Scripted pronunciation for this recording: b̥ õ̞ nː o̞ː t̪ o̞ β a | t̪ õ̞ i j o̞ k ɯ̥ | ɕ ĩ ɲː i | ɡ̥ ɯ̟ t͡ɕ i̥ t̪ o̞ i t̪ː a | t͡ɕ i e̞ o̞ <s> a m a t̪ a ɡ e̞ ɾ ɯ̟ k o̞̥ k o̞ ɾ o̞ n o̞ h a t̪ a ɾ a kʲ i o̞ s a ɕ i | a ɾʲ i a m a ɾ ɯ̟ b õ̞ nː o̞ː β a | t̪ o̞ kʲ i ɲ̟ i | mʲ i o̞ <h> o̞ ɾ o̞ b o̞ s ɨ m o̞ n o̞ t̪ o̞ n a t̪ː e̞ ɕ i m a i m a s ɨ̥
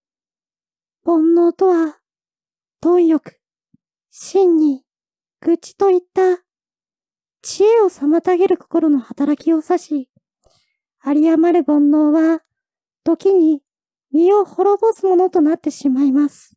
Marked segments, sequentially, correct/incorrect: correct, correct

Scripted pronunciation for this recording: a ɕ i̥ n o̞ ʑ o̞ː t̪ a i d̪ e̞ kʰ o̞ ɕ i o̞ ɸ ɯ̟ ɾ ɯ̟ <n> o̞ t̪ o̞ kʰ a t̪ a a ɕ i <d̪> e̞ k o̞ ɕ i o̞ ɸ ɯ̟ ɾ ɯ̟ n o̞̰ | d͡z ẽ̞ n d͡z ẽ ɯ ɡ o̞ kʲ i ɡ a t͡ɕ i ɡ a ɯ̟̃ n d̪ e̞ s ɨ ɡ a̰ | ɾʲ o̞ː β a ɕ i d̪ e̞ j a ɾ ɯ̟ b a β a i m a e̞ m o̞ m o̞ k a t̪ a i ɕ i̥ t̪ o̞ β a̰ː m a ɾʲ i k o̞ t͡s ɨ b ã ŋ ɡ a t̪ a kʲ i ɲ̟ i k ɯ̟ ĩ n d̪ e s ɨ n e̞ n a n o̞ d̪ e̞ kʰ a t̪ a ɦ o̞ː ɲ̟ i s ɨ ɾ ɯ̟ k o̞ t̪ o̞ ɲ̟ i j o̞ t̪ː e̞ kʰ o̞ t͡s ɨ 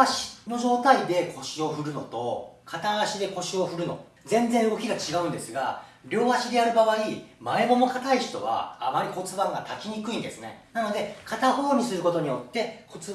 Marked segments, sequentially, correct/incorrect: correct, correct

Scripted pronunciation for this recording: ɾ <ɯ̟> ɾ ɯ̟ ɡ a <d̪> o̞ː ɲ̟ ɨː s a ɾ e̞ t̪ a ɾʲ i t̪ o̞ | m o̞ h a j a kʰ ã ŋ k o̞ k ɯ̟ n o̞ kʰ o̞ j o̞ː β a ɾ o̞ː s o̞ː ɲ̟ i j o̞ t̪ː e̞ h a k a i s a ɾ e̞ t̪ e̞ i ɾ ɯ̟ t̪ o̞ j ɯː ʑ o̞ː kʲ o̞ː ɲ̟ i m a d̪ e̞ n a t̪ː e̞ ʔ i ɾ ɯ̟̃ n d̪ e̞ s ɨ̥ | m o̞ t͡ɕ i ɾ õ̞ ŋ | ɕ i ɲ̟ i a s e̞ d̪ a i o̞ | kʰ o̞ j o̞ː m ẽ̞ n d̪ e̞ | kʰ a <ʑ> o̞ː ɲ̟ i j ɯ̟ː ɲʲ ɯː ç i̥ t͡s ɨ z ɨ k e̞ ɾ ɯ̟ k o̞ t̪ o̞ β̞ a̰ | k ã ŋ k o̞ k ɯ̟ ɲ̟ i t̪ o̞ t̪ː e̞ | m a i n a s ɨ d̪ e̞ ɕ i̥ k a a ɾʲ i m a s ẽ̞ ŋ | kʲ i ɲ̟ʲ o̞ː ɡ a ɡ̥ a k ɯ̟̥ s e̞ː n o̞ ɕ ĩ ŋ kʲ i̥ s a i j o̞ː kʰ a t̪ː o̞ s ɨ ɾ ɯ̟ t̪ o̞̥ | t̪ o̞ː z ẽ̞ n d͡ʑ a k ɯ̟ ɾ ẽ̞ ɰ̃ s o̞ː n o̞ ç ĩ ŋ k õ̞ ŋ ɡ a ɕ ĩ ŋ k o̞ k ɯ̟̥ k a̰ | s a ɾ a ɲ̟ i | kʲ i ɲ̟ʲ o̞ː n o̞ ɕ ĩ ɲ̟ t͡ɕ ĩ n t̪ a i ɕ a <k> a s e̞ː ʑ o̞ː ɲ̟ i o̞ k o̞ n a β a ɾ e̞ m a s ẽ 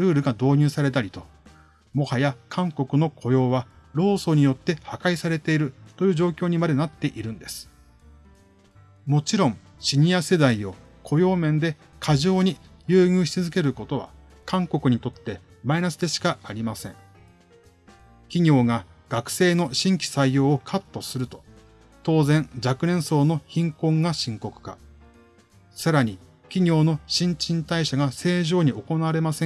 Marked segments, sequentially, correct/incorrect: incorrect: ɯ̟ː, correct, correct, incorrect: ɡ

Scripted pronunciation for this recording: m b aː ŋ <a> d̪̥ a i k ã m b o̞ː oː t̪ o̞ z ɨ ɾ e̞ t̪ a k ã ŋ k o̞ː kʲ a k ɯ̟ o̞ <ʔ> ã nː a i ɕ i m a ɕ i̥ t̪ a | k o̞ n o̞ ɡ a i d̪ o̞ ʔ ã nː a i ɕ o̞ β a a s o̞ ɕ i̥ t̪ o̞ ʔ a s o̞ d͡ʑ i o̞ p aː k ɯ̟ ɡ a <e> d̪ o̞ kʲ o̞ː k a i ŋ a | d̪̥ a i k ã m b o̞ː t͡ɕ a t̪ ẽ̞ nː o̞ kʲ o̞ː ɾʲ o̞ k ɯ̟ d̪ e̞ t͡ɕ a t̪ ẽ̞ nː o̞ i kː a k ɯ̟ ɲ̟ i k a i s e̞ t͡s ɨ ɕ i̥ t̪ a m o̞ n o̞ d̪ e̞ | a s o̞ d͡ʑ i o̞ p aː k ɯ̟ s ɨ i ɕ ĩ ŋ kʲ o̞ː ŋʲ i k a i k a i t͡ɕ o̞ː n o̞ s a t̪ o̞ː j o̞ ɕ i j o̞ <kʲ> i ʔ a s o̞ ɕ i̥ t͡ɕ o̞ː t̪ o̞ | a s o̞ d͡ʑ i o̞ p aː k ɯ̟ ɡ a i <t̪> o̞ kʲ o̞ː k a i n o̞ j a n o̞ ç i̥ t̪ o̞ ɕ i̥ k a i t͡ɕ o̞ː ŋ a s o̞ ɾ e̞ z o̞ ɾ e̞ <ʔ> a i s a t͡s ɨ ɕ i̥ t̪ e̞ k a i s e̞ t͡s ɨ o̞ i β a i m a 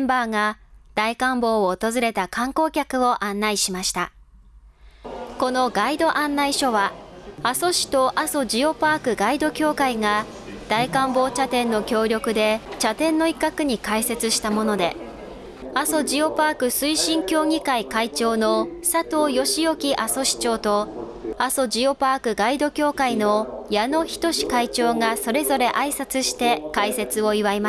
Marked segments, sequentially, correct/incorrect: correct, correct, incorrect: i, correct, incorrect: d̪, correct

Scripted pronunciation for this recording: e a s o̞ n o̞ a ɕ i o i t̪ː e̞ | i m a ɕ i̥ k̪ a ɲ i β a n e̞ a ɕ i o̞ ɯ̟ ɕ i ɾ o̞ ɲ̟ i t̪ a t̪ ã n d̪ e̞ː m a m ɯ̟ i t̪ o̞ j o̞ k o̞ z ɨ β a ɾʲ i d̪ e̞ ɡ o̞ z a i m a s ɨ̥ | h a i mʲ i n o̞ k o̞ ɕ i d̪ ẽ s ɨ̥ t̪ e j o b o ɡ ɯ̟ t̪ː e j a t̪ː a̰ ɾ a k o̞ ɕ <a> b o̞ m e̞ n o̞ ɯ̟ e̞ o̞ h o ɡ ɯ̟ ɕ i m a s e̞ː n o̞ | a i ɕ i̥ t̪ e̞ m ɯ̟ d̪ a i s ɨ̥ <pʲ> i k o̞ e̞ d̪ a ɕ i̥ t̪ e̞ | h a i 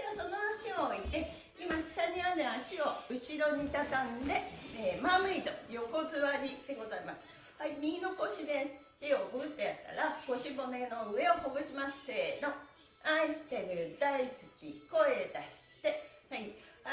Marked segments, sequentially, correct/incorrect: incorrect: i, incorrect: kʲ

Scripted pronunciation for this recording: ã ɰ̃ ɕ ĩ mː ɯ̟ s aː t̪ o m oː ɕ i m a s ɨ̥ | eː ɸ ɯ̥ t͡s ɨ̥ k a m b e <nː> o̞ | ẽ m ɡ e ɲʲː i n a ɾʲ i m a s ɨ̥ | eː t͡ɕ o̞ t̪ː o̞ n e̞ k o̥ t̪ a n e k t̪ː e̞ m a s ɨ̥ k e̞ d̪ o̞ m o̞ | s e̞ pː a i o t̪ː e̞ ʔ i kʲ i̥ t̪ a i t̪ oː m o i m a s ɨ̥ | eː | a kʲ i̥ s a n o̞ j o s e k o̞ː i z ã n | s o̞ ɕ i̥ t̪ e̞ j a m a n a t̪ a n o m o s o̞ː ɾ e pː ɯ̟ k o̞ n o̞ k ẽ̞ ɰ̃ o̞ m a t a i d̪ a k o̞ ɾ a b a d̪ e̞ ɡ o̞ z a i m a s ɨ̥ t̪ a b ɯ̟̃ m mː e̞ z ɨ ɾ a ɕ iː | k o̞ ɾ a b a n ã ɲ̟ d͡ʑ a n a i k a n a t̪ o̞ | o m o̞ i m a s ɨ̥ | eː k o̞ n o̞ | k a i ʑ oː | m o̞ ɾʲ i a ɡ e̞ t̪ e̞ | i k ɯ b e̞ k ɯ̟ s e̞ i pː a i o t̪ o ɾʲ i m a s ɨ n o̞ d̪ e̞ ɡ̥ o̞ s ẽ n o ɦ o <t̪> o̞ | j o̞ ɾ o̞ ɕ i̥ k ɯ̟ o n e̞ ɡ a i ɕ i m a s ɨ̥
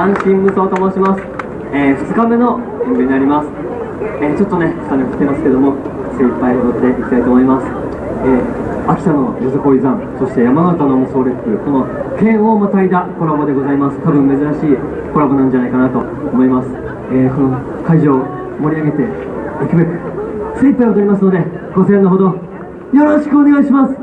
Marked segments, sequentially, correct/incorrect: incorrect: n, incorrect: d̪

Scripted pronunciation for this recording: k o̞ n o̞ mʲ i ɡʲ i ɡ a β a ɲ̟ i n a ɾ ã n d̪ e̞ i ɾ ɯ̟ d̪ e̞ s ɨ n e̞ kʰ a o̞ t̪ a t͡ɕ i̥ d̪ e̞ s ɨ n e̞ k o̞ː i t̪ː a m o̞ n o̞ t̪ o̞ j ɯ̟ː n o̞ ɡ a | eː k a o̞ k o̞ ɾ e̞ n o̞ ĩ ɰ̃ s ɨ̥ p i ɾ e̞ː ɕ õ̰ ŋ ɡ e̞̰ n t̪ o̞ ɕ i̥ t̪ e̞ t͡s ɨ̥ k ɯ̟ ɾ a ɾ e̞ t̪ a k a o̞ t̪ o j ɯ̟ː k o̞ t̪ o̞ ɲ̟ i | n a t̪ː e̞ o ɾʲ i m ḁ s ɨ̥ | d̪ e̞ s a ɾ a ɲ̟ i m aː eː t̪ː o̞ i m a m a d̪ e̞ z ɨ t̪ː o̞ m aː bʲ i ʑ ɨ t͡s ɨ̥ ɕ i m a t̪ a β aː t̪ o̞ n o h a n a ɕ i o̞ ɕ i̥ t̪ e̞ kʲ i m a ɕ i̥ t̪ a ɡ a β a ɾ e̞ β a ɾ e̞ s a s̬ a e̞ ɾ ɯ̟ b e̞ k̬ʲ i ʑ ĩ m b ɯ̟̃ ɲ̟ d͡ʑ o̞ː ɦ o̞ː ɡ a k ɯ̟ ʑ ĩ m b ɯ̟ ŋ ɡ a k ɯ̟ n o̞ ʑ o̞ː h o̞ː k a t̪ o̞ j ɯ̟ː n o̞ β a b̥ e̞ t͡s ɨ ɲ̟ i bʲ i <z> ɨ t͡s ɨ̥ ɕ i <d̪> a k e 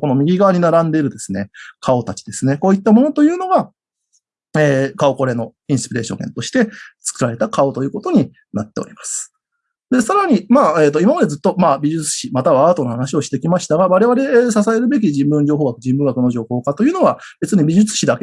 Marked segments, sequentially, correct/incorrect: incorrect: ʑ, correct

